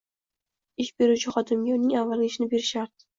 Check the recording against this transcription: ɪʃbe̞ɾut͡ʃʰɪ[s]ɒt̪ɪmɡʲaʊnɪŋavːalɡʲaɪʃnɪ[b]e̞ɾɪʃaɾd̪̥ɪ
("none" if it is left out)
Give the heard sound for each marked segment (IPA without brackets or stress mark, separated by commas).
χ, b